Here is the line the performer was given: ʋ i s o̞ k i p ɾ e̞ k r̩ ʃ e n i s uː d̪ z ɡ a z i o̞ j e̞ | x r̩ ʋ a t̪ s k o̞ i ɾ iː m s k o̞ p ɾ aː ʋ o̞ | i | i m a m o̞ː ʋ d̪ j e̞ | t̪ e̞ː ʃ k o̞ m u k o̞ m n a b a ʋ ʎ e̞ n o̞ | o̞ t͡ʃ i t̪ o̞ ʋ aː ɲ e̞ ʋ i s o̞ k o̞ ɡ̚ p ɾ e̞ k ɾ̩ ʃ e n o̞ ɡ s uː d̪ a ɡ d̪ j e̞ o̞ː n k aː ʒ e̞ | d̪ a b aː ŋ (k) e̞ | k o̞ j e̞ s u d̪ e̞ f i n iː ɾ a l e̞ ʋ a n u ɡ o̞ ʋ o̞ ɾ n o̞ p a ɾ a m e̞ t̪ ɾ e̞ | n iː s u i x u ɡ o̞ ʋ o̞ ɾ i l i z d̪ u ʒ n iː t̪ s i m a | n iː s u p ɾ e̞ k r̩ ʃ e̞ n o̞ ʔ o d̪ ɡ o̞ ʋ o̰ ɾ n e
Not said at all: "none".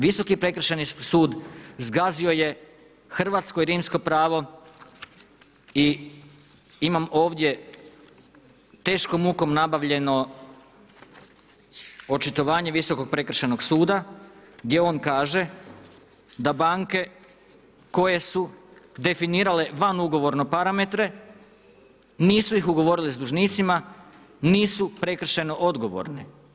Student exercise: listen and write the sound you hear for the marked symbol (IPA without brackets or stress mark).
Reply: k